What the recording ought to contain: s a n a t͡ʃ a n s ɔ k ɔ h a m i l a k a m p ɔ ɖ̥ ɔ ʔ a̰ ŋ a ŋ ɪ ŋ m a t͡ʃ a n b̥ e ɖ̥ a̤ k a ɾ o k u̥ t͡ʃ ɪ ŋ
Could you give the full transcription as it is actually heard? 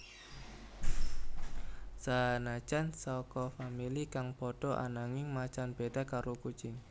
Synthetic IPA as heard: s a n a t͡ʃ a n s ɔ k ɔ f a m i l i k a ŋ p ɔ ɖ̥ ɔ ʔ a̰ n a ŋ ɪ ŋ m a t͡ʃ a n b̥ e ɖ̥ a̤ k a ɾ o k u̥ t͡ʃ ɪ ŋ